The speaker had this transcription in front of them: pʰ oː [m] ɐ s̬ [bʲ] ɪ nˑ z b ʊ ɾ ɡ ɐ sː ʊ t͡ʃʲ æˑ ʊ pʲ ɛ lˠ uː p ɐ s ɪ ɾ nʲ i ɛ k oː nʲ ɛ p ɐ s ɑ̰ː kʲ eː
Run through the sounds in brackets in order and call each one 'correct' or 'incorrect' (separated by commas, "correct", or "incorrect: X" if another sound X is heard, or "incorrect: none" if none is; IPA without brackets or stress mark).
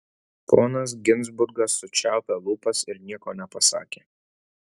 incorrect: n, incorrect: ɡʲ